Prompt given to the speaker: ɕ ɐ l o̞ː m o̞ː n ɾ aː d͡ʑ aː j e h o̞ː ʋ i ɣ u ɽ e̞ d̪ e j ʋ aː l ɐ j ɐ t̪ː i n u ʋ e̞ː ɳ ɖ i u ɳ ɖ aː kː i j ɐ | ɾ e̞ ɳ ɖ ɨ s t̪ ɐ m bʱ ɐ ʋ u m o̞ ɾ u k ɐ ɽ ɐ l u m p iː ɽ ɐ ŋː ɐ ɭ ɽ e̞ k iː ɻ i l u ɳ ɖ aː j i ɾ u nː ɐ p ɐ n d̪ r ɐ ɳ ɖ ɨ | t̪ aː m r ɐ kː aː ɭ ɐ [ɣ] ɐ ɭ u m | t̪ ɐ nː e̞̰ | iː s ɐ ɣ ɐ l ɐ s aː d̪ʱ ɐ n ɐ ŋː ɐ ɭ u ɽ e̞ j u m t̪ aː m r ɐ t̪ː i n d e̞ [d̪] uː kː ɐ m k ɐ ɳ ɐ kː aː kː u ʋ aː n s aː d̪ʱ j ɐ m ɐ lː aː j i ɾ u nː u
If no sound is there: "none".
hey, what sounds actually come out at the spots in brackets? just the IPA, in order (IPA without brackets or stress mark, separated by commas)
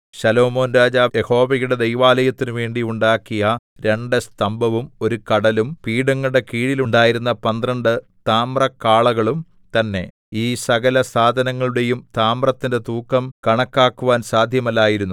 ɣ, t̪